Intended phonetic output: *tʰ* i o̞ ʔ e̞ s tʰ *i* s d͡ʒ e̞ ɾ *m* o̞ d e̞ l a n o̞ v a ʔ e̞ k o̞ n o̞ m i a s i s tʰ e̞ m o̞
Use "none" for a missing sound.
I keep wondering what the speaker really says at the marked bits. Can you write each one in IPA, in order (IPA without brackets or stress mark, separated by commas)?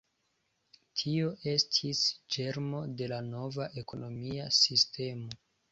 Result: tʰ, i, m